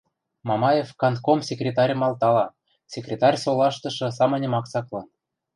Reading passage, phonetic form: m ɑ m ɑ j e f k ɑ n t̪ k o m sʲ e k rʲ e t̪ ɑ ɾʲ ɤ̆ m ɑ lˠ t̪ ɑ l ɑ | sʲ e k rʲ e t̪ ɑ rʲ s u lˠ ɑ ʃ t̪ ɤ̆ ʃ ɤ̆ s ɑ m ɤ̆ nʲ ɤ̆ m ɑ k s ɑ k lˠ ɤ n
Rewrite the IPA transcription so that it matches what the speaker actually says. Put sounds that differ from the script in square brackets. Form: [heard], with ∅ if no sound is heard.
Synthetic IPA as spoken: m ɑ m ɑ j e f k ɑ n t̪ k o m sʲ e k rʲ e t̪ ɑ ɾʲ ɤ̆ m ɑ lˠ t̪ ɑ l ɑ | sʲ e k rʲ e t̪ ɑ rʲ s [o] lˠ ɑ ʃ t̪ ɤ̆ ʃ ɤ̆ s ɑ m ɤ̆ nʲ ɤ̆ m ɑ k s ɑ k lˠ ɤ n